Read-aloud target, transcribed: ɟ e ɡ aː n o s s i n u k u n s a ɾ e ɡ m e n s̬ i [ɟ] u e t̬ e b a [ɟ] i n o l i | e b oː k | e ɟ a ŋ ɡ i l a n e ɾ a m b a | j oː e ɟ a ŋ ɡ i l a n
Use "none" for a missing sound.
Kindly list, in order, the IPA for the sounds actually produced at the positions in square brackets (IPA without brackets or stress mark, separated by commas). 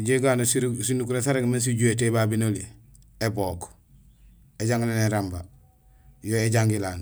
ɟ, b